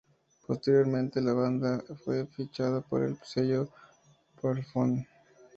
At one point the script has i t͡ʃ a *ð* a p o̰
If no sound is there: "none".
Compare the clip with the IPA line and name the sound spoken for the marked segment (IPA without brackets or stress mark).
ð